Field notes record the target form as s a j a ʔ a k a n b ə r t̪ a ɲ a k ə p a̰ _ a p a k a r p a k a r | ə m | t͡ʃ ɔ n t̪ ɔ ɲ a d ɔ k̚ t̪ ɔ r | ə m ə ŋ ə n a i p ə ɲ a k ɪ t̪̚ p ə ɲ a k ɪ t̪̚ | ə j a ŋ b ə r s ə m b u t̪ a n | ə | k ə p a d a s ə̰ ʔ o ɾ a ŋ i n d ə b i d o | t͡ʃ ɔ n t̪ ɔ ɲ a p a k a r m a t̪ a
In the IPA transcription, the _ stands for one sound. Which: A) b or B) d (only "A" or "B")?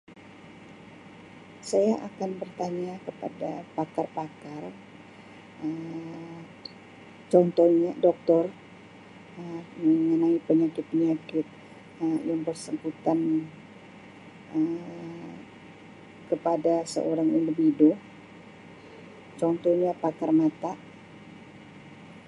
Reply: B